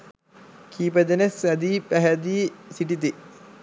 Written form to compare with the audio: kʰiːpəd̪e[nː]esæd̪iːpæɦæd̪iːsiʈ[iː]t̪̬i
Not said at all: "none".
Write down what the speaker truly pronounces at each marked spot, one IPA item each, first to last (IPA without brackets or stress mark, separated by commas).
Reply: n, i